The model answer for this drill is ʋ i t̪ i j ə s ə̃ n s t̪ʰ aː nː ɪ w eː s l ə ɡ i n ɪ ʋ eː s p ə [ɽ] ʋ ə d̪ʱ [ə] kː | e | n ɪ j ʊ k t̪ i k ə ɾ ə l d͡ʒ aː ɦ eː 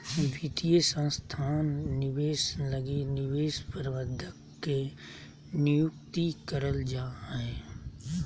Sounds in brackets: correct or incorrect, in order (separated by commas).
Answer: incorrect, correct